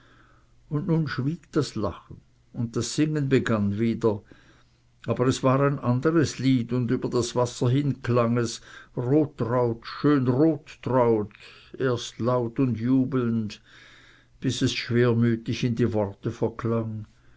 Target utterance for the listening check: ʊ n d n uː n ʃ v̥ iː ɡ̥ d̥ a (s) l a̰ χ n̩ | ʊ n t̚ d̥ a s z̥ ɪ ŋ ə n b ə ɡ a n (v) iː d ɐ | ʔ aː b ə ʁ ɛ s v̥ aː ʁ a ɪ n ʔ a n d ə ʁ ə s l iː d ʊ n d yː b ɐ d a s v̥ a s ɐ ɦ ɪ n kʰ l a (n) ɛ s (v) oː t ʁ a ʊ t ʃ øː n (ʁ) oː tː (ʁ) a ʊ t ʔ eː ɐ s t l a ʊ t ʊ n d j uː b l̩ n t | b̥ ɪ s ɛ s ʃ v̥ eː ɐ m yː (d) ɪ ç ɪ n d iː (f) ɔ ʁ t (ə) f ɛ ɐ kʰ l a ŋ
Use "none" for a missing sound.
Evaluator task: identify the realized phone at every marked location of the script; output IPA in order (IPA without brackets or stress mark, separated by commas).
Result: s, v, ŋ, ʁ, ʁ, ʁ, t, v, ə